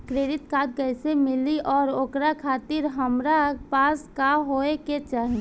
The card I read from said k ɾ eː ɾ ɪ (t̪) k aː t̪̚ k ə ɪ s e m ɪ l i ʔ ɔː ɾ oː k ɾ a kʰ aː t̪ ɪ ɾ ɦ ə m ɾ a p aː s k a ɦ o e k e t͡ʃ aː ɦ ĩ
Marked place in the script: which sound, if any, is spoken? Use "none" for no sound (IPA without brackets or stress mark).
t̪